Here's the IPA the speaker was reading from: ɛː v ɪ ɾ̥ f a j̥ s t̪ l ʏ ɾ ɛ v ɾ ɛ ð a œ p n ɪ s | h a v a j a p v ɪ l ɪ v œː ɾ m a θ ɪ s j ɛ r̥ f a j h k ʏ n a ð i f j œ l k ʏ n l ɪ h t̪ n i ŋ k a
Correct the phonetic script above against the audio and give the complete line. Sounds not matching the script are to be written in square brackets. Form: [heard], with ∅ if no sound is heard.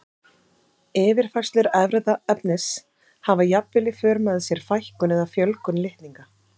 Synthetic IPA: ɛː v ɪ ɾ̥ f a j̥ s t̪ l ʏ ɾ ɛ v ɾ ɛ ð a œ p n ɪ s | h a v a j a p v ɪ l ɪ [f] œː ɾ m a [ð] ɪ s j ɛ [ɾ̥] f a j h k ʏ n [ɛ] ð [a] f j œ l k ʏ n l ɪ h t̪ n i ŋ k a